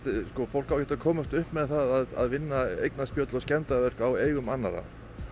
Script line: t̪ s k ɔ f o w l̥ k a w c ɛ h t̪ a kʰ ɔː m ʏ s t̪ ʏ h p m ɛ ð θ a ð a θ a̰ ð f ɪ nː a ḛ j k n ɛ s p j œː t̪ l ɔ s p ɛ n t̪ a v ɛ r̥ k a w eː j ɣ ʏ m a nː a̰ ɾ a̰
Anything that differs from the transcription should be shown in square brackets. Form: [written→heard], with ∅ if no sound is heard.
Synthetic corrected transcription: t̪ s k ɔ f o w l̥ k a w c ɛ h t̪ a kʰ ɔː m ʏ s t̪ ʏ h p m ɛ ð θ a ð a [θ→ð] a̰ ð [f→v] ɪ nː a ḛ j k n [ɛ→a] s p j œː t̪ l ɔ s [p→c] ɛ n t̪ a v ɛ r̥ k a w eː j ɣ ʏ m a nː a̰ ɾ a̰

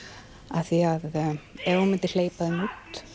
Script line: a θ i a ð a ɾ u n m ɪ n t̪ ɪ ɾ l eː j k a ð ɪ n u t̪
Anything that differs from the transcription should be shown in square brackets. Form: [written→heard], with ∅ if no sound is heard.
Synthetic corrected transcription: a θ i a ð [a→ɛ] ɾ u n m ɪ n t̪ ɪ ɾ l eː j [k→p] a ð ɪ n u t̪

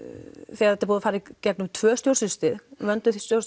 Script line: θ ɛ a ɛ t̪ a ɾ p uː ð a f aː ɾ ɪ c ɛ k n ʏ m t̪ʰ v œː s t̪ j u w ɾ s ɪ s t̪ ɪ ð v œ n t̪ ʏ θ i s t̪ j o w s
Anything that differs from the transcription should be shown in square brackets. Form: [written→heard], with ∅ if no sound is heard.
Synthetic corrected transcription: θ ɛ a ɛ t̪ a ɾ p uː ð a f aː ɾ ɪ c ɛ k n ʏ m t̪ʰ v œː s t̪ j [u→o] w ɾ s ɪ s t̪ ɪ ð v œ n t̪ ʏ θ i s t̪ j o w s

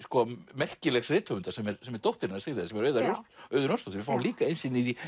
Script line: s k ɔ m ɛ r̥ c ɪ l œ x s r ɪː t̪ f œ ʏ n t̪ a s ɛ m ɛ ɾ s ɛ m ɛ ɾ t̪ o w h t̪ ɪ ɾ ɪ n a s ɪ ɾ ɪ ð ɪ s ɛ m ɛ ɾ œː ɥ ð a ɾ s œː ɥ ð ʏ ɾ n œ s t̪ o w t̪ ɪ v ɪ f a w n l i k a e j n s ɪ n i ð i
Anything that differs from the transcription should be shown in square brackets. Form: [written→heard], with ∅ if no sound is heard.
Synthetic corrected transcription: s k ɔ m ɛ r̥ c ɪ l [œ→ɛ] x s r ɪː t̪ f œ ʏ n t̪ a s ɛ m ɛ ɾ s ɛ m ɛ ɾ t̪ o w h t̪ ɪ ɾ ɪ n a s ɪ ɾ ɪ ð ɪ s ɛ m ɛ ɾ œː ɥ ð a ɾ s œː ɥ ð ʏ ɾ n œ s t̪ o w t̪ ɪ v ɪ f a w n l [i→iː] k a e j n s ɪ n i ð i

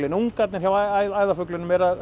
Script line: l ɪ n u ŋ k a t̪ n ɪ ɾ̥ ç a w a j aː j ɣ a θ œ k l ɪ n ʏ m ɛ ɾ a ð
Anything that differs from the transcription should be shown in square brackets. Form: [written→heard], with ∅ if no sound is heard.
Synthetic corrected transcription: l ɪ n u ŋ k a t̪ n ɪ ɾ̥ ç a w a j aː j [ɣ→ð] a [θ→f] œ k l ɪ n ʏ m ɛ ɾ a ð

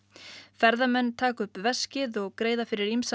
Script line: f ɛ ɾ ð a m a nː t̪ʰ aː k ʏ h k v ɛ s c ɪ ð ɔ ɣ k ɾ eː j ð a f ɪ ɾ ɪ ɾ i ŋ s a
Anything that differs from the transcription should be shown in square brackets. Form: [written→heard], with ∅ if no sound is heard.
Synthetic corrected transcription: f ɛ ɾ ð a m [a→ɛ] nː t̪ʰ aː k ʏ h [k→p] v ɛ s c ɪ ð ɔ ɣ k ɾ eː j ð a f ɪ ɾ ɪ ɾ i [ŋ→m] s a

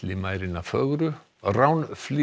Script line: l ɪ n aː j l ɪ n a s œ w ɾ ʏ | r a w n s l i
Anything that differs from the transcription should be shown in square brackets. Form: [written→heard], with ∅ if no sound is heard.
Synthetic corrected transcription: l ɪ [n→m] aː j [l→ɾ] ɪ n a [s→f] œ [w→ɣ] ɾ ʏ | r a w n [s→f] l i

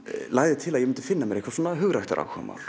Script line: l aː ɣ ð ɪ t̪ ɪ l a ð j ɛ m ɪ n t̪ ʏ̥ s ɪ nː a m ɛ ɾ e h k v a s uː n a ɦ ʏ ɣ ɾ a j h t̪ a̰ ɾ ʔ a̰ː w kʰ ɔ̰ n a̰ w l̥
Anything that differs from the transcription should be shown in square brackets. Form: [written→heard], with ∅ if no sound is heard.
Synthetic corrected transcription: l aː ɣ ð ɪ [t̪→t̪ʰ] ɪ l a ð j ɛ m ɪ n t̪ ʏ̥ [s→f] ɪ nː a m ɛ ɾ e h k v a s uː n a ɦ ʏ ɣ ɾ a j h t̪ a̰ ɾ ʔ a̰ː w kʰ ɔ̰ [n→m] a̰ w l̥

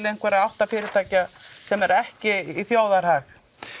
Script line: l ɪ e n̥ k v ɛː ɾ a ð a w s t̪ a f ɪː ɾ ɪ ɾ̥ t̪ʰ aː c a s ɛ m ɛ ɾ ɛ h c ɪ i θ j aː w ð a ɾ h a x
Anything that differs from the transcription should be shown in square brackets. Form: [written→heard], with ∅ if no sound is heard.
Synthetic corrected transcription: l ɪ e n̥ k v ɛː ɾ a ð a w [s→h] t̪ a f ɪː ɾ ɪ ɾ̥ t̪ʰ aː c a s ɛ m ɛ ɾ ɛ h c ɪ i θ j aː w ð a ɾ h a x

